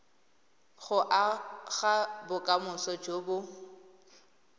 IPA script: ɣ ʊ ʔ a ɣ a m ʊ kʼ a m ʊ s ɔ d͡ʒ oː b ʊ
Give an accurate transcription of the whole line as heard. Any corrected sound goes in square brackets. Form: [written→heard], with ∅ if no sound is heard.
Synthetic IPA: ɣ ʊ ʔ a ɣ a [m→b] ʊ kʼ a m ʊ s ɔ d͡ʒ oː b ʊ